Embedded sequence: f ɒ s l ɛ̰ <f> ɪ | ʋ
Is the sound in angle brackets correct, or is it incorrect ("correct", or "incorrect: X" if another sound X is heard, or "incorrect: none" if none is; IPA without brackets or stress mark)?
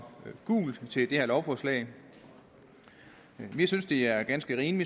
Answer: incorrect: none